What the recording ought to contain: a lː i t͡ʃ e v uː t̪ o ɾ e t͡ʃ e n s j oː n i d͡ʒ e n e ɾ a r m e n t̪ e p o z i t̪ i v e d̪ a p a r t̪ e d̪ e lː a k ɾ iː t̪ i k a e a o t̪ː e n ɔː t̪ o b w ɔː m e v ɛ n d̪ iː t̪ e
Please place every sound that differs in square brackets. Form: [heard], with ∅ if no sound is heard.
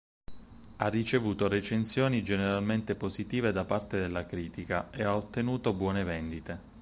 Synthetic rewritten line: a [rː] i t͡ʃ e v uː t̪ o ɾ e t͡ʃ e n s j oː n i d͡ʒ e n e ɾ a [l] m e n t̪ e p o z i t̪ [iː] v e d̪ a p a r t̪ e d̪ e lː a k ɾ iː t̪ i k a e a o t̪ː e n [uː] t̪ o b w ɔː [n] e v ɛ n d̪ [i] t̪ e